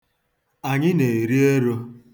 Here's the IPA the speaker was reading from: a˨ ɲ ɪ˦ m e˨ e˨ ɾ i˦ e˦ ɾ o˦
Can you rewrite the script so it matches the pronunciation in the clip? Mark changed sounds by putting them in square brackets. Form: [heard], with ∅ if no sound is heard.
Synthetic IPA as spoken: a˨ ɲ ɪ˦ [n] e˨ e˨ ɾ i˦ e˦ ɾ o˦